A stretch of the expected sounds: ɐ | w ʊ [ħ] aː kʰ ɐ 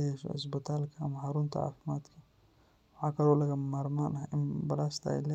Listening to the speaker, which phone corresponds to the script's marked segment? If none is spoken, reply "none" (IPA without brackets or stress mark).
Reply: ħ